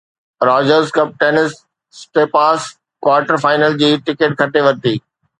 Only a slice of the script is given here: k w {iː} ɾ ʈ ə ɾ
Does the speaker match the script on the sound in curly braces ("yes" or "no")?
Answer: no